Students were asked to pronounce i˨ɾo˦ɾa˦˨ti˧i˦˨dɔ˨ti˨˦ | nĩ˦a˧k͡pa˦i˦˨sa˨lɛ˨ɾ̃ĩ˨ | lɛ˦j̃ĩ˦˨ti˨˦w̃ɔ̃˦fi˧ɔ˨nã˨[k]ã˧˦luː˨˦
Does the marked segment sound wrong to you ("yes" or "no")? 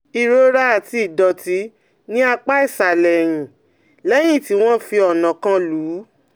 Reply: no